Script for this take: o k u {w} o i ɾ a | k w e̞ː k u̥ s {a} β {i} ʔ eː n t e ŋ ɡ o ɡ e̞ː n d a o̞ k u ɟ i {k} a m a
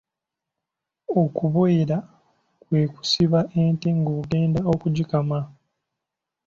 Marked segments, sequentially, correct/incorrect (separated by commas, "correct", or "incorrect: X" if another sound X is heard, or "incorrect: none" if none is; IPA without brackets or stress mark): incorrect: β, incorrect: i, incorrect: a, correct